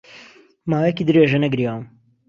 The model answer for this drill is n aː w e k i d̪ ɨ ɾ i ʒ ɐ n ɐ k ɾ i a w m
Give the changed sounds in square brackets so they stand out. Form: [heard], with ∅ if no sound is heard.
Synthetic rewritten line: [m] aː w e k i d̪ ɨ ɾ [e] ʒ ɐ n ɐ [ɡ] ɾ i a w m